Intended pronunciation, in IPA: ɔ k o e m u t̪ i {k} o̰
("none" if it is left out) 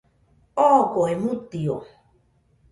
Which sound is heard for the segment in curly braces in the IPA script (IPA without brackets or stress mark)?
none